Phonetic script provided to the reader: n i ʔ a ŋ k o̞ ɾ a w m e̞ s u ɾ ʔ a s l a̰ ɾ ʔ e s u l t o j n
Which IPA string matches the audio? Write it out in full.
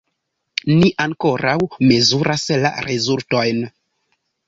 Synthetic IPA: n i ʔ a ŋ k o̞ ɾ a w m e̞ z u ɾ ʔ a s l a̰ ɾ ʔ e z u l t o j n

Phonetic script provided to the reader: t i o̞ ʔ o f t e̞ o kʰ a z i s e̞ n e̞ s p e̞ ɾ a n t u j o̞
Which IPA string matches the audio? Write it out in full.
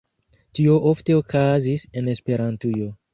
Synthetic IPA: t i o̞ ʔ o f t e̞ o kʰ a z i s e̞ n e̞ s p e̞ ɾ a n t u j o̞

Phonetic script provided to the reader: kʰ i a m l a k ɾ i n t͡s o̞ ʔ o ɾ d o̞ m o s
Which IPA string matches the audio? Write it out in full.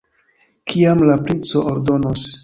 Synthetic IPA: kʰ i a m l a p ɾ i n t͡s o̞ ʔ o ɾ d o̞ n o s

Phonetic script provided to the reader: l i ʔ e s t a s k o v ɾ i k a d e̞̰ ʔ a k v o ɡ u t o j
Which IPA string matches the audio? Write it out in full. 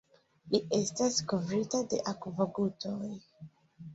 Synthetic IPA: l i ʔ e s t a s k o v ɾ i t a d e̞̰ ʔ a k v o ɡ u t o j

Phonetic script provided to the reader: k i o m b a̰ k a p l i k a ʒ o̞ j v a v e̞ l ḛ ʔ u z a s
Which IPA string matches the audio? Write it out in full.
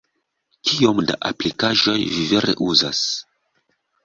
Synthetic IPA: k i o m d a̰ ʔ a p l i k a ʒ o̞ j v i v e̞ ɾ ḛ ʔ u z a s

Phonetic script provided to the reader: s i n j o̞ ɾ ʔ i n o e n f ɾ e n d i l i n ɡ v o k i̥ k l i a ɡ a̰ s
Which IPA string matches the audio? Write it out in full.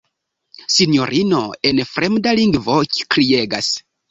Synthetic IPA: s i n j o̞ ɾ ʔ i n o e n f ɾ e m d a l i ŋ ɡ v o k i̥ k ɾ i e ɡ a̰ s

